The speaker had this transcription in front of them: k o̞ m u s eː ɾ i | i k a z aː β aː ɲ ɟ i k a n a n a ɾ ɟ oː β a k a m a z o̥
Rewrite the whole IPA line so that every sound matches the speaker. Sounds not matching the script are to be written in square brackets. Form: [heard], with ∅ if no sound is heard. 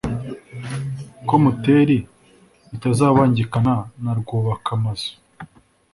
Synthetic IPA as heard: k o̞ m u [t] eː ɾ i | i [t] a z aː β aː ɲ ɟ i k a n a n a ɾ [ɡ] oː β a k a m a z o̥